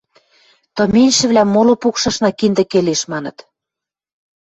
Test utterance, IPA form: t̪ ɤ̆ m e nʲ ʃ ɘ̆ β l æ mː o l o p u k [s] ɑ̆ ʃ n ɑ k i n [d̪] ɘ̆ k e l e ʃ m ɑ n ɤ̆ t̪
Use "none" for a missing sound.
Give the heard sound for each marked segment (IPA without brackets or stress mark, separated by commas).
ʃ, d̪